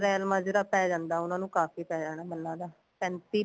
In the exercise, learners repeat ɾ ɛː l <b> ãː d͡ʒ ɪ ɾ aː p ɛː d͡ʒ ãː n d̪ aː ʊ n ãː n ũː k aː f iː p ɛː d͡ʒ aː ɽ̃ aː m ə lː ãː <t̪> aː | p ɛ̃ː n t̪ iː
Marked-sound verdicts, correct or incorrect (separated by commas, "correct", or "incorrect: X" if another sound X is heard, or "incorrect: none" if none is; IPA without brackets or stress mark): incorrect: m, incorrect: d̪